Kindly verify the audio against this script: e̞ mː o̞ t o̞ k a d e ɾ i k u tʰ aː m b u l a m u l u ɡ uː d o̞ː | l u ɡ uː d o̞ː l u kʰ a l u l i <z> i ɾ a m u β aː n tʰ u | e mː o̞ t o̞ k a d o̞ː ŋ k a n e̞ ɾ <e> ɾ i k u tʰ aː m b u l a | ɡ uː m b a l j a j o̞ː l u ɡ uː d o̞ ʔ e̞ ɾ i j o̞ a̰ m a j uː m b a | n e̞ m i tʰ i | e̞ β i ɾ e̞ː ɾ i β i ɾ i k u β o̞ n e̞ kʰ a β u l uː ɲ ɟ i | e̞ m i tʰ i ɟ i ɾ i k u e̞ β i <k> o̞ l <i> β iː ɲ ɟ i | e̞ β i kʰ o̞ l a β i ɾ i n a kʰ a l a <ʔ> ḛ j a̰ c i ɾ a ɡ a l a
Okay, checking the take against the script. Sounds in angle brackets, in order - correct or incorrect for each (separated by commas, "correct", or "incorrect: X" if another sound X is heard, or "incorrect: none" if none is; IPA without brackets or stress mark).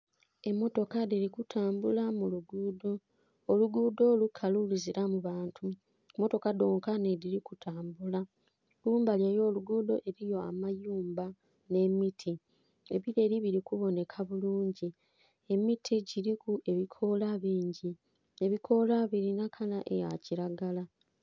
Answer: correct, incorrect: i, incorrect: kʰ, incorrect: a, correct